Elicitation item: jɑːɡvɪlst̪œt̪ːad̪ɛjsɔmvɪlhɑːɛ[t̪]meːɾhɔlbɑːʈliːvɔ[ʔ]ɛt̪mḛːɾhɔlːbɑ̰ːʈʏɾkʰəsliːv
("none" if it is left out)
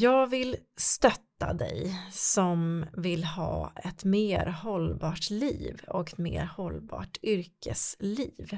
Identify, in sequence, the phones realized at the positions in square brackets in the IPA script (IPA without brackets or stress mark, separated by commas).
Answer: t̪, k